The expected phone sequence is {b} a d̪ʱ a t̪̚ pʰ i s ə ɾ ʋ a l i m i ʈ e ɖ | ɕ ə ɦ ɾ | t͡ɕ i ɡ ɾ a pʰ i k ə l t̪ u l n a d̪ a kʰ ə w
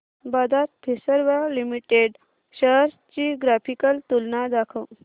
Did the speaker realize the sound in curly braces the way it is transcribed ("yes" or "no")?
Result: yes